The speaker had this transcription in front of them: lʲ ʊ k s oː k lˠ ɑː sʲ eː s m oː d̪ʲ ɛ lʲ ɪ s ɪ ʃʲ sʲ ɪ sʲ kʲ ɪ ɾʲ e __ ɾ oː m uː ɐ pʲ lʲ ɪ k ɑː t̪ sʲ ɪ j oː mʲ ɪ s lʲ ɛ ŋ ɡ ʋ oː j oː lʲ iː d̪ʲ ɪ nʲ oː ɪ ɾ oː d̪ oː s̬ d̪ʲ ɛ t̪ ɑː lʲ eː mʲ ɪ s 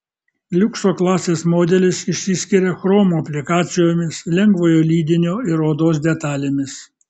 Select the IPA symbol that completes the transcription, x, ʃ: x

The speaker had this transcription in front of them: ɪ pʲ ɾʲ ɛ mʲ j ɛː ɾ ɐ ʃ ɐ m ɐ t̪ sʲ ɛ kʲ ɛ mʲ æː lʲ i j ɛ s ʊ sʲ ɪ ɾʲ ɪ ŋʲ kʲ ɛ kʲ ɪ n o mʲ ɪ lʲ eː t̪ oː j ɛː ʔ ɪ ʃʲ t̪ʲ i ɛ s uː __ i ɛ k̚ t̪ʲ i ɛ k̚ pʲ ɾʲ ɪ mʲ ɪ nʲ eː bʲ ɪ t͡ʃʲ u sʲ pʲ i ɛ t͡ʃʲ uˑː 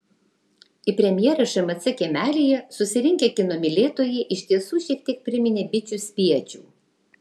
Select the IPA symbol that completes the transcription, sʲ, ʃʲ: ʃʲ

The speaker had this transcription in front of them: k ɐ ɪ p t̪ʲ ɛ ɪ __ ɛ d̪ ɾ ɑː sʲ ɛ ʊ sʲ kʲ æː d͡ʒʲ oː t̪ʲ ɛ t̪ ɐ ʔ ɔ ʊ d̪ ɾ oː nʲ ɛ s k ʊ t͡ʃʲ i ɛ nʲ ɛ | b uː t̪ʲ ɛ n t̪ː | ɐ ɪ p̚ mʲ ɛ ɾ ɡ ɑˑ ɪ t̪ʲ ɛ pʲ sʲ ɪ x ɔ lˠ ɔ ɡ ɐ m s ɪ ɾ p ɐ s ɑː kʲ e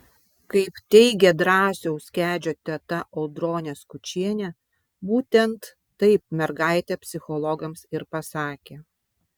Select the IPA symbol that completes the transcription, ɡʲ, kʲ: ɡʲ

